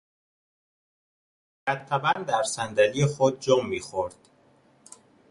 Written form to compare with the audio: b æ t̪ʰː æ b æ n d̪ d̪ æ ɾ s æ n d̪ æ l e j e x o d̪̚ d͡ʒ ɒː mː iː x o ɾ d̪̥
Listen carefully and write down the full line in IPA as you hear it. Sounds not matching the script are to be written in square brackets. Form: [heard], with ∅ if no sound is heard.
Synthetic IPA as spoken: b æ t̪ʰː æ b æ n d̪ d̪ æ ɾ s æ n d̪ æ l [i] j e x o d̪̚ d͡ʒ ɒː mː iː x o ɾ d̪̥